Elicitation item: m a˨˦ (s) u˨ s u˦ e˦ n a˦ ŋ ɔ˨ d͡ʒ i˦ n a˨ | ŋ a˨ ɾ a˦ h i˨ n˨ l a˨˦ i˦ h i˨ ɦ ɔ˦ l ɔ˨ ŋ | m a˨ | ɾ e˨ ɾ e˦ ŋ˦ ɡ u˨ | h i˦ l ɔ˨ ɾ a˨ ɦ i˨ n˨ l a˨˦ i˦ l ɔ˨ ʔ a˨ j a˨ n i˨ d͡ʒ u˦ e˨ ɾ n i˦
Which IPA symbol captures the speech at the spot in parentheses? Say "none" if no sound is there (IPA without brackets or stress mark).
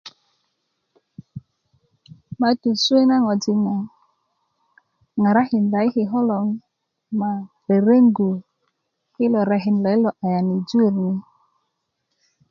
t